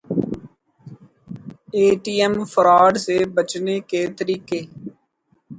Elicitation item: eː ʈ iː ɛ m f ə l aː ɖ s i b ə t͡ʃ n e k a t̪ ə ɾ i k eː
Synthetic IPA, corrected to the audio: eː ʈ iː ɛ m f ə ɾ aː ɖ s e b ə t͡ʃ n e k e t̪ ə ɾ iː k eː